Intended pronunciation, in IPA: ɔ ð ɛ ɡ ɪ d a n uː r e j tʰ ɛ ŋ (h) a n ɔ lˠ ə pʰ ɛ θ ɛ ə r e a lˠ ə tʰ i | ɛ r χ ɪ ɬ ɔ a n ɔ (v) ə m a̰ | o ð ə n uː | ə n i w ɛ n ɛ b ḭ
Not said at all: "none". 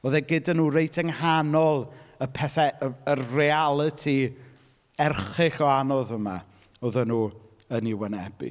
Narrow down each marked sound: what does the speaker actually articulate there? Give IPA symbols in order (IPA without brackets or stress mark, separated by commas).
h, ð